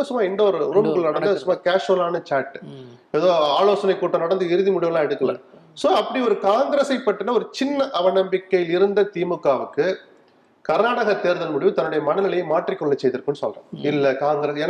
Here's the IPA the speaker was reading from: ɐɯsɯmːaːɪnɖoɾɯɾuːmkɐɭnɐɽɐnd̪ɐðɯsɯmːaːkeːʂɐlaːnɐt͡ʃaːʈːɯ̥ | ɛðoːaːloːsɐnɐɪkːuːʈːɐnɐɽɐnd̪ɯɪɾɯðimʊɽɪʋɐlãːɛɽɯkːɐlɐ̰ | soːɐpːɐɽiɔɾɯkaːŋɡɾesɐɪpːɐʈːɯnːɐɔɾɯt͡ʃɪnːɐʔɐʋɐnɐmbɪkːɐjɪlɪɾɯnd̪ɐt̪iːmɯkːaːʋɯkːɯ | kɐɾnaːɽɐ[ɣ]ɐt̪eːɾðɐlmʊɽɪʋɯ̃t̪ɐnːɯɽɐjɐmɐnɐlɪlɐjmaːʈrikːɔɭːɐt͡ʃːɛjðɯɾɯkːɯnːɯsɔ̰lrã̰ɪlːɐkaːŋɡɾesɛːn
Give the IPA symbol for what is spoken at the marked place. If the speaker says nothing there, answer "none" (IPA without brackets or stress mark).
ɣ